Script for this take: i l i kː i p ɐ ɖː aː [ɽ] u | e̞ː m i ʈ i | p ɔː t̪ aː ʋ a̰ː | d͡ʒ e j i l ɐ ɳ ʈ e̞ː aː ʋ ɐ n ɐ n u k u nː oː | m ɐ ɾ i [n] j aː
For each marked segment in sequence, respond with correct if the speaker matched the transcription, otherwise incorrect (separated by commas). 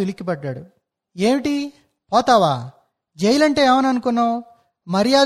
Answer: correct, incorrect